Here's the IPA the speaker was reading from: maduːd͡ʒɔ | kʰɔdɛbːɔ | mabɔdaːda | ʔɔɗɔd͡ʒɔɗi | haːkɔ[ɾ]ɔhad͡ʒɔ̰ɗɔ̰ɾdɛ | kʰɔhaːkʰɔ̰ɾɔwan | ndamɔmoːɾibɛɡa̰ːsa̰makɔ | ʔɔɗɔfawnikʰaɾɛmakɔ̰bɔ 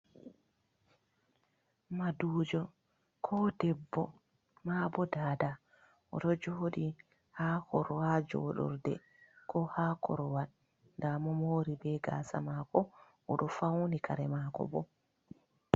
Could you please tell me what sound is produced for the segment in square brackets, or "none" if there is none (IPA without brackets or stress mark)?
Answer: ɾ